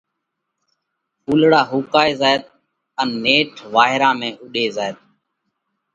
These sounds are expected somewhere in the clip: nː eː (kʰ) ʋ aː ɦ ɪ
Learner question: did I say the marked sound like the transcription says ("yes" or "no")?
no